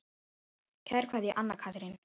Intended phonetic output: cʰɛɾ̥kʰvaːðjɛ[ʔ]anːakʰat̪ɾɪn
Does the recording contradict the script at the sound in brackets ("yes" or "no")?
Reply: no